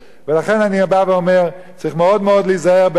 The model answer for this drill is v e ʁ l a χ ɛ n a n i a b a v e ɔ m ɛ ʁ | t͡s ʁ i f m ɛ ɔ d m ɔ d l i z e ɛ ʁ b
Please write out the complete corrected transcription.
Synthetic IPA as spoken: v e l a χ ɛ n a n i a b a v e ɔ m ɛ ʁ | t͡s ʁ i χ m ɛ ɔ d m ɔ d l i z a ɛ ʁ b